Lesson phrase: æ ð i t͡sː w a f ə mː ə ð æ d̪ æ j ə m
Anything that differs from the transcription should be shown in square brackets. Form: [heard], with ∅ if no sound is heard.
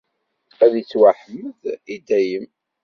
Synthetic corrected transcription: æ ð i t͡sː w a [ħ] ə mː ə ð [i] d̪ æ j ə m